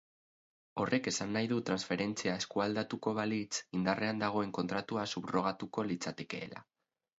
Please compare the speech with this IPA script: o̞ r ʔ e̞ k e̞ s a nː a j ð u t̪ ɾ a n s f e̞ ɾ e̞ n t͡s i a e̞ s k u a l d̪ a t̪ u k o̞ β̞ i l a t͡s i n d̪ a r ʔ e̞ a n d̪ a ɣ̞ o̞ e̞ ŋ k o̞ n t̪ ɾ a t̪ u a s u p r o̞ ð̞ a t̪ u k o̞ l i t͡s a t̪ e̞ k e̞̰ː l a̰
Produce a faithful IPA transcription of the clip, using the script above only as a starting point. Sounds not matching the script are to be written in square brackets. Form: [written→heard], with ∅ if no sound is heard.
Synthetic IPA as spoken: o̞ r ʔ e̞ k e̞ s a nː a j ð u t̪ ɾ a n s f e̞ ɾ e̞ n t͡s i a e̞ s k u a l d̪ a t̪ u k o̞ β̞ [i→a] l [a→i] t͡s i n d̪ a r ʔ e̞ a n d̪ a ɣ̞ o̞ e̞ ŋ k o̞ n t̪ ɾ a t̪ u a s u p r o̞ [ð̞→ɣ̞] a t̪ u k o̞ l i t͡s a t̪ e̞ k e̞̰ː l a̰